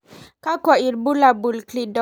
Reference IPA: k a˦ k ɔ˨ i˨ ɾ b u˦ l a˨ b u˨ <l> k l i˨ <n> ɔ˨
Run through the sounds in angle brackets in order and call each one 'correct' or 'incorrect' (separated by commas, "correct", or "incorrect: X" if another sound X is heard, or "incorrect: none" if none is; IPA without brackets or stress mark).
correct, incorrect: d